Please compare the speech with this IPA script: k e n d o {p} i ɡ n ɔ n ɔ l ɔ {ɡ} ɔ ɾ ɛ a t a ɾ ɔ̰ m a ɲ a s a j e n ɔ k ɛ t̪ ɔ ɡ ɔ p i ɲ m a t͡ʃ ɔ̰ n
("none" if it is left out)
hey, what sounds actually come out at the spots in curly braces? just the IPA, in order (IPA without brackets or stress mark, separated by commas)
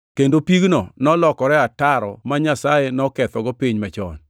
p, k